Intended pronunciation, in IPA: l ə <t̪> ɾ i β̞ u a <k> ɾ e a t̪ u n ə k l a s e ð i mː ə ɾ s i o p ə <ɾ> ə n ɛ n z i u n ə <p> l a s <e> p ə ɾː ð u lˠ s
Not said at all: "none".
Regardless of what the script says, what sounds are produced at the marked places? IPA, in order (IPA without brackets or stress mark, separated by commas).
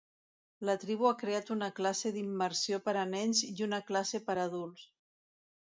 t̪, k, ɾ, k, e